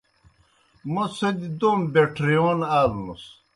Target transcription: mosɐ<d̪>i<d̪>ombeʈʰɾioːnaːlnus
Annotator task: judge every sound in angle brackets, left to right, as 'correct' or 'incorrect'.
correct, correct

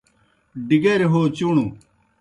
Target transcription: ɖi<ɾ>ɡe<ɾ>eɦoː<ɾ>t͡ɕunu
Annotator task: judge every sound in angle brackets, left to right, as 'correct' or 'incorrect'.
incorrect: none, correct, incorrect: none

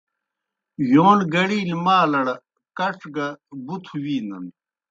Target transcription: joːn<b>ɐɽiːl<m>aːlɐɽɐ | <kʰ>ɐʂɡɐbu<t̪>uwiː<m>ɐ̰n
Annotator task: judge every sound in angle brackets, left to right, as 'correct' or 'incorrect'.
incorrect: ɡ, correct, incorrect: k, incorrect: t̪ʰ, incorrect: n

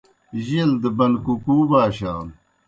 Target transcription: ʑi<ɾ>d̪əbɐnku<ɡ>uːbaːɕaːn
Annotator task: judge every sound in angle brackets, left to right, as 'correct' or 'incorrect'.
incorrect: l, incorrect: k

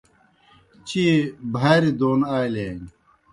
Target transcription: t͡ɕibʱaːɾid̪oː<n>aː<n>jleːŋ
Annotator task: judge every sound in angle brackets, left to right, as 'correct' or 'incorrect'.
correct, incorrect: none

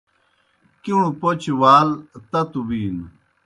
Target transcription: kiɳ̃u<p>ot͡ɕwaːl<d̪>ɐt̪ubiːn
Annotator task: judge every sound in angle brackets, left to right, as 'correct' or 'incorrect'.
correct, incorrect: t̪

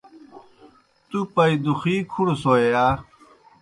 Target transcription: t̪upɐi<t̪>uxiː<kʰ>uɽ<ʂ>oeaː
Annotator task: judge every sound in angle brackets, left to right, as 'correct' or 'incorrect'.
incorrect: d̪, correct, incorrect: s

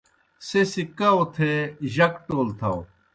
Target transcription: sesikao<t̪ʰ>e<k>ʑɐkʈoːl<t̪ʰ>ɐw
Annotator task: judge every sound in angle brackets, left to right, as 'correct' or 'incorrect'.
correct, incorrect: none, correct

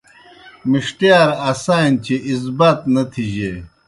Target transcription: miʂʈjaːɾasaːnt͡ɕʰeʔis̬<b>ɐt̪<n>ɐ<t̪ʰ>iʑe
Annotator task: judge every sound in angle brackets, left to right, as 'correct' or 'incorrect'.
correct, correct, correct

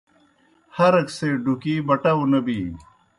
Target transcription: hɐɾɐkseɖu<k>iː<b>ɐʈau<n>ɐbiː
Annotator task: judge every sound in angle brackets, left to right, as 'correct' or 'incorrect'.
correct, correct, correct

